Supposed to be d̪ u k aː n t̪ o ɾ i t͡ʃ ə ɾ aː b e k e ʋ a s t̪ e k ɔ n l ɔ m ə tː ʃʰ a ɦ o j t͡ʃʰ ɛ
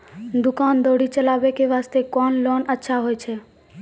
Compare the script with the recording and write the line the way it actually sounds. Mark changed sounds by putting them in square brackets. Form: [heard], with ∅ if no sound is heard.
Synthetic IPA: d̪ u k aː n [d̪] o [ɽ] i t͡ʃ ə [l] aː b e k e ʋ a s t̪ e k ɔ n l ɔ [n] ə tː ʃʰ a ɦ o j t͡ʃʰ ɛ